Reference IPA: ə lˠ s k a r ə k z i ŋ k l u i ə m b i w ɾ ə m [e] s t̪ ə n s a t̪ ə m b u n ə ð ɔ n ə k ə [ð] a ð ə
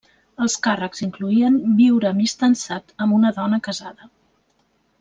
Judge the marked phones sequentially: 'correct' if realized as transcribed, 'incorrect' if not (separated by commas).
incorrect, incorrect